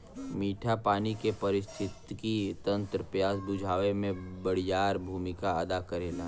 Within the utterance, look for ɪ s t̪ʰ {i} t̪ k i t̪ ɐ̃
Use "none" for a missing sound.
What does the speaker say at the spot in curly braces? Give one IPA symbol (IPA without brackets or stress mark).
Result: ɪ